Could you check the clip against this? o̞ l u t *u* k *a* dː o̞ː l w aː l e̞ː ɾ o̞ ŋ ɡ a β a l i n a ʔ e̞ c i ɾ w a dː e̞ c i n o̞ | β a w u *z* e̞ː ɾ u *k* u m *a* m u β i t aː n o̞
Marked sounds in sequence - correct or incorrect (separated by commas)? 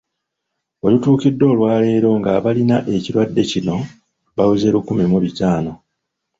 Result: incorrect, incorrect, correct, correct, incorrect